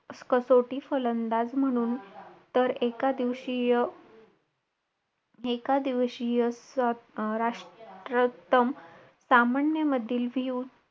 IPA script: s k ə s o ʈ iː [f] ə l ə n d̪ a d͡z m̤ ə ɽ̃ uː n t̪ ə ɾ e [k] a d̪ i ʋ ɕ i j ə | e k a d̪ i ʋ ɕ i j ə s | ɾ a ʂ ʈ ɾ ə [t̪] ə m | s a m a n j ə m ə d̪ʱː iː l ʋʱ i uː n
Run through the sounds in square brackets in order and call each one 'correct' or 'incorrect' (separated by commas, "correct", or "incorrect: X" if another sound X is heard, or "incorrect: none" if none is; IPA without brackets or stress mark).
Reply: correct, correct, correct